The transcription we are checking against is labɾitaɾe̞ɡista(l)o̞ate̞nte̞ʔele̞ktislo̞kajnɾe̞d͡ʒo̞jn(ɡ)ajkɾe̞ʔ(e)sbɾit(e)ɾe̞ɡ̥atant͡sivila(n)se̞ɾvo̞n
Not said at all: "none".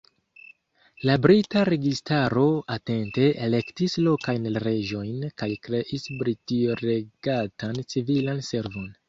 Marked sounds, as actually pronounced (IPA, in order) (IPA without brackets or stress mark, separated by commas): ɾ, k, i, i, n